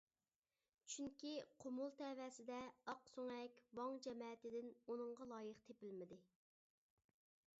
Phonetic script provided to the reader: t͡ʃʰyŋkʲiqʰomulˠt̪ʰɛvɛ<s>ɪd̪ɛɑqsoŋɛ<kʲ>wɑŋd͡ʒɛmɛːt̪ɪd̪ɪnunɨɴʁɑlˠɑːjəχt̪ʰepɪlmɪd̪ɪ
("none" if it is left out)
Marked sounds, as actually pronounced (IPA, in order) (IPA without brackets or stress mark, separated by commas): s, kʲ